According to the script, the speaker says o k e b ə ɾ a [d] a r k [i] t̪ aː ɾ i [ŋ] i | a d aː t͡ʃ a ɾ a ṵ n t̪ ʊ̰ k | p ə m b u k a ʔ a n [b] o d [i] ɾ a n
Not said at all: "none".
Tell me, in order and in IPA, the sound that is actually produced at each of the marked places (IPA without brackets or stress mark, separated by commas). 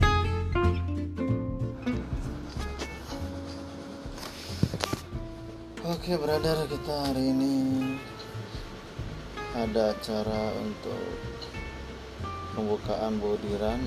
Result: d, i, n, b, i